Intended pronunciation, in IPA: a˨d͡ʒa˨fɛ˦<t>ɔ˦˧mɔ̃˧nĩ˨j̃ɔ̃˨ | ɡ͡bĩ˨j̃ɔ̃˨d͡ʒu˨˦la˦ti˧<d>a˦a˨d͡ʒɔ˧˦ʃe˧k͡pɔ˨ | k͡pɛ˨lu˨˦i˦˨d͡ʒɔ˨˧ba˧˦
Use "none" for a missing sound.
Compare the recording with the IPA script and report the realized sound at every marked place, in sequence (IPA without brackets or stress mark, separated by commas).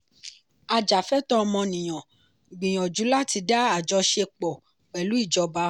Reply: t, d